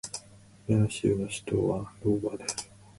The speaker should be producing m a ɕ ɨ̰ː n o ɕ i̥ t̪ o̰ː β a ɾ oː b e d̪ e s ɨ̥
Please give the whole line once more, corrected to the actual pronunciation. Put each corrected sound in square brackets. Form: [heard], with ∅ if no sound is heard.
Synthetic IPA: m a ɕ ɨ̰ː n o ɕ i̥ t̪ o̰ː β a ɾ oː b [a] d̪ e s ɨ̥